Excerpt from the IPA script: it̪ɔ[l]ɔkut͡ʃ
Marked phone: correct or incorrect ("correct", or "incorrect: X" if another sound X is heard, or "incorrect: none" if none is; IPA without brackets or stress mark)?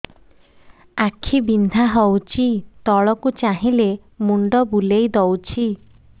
incorrect: ɭ